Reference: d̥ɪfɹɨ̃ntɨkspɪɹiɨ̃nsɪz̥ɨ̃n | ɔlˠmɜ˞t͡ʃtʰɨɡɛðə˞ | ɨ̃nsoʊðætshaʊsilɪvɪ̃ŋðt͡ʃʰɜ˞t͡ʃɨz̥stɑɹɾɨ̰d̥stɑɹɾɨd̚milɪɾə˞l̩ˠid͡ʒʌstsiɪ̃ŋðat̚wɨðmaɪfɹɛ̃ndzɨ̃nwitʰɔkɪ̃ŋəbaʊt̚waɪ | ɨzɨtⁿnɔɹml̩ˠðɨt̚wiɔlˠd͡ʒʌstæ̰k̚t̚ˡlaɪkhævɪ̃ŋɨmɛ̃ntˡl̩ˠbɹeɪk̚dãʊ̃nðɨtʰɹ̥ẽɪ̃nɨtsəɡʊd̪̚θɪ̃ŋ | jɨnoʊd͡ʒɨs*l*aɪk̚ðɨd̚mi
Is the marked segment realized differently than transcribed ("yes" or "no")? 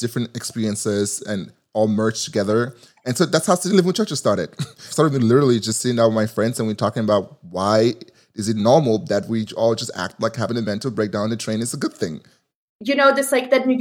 no